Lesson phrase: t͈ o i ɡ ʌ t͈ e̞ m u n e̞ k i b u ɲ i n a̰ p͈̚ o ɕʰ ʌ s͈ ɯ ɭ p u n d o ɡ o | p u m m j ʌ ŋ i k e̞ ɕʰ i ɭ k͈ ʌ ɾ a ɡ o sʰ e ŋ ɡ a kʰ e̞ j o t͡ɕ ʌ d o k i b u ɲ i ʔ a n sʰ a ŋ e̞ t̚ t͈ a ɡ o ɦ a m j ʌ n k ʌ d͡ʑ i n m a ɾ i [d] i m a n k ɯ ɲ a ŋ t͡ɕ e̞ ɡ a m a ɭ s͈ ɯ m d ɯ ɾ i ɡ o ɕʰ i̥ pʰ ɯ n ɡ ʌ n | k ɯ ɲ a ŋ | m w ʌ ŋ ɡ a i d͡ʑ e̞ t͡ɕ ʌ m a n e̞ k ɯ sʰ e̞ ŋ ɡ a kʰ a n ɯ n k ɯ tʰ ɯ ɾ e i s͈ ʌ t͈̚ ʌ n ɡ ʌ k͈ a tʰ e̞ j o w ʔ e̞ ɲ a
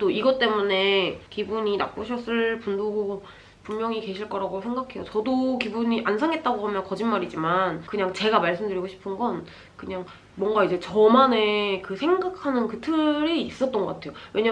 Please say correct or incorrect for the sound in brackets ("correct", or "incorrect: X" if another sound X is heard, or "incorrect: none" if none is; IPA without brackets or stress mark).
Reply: incorrect: d͡ʑ